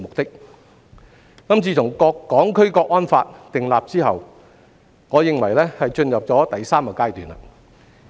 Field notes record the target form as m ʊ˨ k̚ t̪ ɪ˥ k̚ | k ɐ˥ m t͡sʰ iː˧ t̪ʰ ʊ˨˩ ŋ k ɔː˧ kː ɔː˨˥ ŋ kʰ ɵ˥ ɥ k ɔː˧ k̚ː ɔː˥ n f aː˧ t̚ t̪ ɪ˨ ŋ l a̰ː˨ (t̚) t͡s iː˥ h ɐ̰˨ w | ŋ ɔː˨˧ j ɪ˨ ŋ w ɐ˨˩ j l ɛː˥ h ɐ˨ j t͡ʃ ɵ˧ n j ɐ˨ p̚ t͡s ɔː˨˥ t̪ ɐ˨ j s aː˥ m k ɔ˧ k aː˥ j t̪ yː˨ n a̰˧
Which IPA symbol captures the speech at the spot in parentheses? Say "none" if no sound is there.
p̚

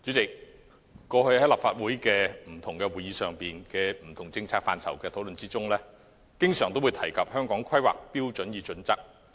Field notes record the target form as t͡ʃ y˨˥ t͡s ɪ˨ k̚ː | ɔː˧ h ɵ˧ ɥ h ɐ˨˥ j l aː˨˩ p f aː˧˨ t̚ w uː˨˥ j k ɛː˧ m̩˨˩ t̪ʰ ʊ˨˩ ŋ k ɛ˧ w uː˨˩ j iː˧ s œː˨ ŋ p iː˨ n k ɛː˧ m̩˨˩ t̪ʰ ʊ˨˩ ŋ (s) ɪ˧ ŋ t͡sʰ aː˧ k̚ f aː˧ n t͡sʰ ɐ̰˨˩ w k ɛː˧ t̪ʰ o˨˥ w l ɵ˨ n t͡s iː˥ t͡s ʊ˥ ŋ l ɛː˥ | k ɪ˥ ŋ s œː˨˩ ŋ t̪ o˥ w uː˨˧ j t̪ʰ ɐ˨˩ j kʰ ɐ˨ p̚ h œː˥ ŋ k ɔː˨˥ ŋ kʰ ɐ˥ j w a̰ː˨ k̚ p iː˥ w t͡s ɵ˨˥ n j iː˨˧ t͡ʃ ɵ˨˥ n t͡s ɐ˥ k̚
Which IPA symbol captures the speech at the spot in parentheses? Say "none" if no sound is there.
t͡s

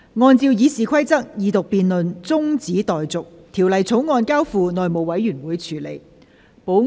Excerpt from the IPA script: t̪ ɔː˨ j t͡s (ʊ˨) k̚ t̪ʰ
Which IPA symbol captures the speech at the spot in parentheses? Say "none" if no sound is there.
ʊ˨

